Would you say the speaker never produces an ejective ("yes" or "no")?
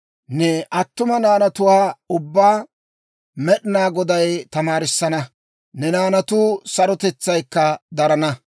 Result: yes